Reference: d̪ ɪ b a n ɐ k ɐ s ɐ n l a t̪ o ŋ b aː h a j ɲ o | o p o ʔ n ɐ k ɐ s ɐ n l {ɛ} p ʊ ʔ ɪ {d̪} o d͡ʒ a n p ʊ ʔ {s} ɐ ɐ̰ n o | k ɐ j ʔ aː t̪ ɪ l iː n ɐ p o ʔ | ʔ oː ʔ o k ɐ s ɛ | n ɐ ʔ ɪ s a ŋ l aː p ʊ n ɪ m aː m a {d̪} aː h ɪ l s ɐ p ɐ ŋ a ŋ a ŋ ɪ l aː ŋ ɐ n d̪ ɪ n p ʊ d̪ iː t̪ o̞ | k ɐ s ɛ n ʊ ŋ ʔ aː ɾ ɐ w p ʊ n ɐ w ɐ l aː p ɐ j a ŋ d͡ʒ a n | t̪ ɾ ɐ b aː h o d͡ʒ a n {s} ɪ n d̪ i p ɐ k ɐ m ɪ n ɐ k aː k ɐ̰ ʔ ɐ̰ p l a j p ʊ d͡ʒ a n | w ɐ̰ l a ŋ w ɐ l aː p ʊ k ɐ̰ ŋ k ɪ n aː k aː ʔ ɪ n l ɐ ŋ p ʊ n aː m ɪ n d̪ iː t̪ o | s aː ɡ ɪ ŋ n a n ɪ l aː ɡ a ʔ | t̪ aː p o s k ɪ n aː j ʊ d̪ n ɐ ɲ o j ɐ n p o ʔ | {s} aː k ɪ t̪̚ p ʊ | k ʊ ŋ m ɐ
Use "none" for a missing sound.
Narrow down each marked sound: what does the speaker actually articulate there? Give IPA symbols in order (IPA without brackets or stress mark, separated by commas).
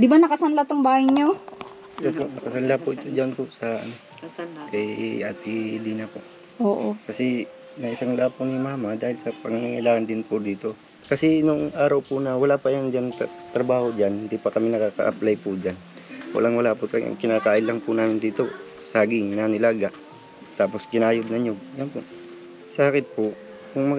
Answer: a, t̪, s, d̪, h, s